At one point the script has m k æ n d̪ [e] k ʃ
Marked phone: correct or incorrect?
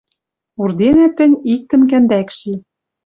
incorrect